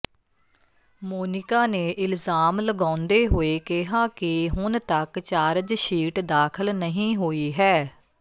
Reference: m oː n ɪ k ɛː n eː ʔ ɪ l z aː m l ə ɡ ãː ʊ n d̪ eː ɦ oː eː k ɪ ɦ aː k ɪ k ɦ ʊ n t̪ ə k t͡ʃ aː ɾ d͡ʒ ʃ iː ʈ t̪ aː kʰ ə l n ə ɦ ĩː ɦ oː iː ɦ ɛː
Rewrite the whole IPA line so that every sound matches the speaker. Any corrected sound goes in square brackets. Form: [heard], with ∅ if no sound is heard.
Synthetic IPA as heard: m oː n ɪ k [aː] n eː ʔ ɪ l z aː m l ə ɡ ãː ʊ n d̪ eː ɦ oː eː k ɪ ɦ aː k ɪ [∅] ɦ ʊ n t̪ ə k t͡ʃ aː ɾ d͡ʒ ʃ iː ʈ [d̪] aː kʰ ə l n ə ɦ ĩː ɦ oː iː ɦ ɛː